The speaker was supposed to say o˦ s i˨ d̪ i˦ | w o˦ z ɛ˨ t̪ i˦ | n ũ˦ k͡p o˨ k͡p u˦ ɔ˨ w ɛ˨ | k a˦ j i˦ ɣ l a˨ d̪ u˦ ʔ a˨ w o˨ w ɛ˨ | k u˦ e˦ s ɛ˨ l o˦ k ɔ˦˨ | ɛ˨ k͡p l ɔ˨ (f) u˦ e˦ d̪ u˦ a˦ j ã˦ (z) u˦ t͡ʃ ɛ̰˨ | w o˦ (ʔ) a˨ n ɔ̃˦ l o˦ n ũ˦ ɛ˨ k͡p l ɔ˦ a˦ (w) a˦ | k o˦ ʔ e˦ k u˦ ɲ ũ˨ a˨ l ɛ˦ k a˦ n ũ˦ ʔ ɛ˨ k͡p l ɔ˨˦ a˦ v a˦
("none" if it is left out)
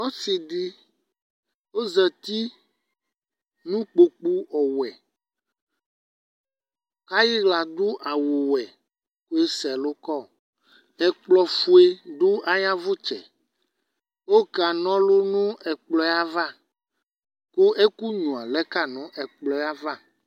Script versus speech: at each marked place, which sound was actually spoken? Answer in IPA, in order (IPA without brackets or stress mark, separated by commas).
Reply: f, v, k, v